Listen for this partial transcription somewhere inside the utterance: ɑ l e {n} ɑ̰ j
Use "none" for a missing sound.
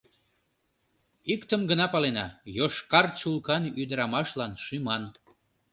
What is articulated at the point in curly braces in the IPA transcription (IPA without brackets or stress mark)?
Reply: n